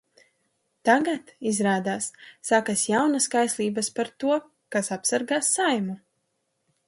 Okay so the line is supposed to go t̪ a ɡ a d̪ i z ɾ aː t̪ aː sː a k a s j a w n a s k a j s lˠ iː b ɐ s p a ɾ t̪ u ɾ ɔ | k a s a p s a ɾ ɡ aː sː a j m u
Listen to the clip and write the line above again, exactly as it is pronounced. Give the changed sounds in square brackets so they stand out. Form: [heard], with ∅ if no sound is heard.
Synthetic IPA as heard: t̪ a ɡ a [t̪] i z ɾ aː [d̪] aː sː a k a s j a w n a s k a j s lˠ iː b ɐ s p a ɾ t̪ u [∅] ɔ | k a s a p s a ɾ ɡ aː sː a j m u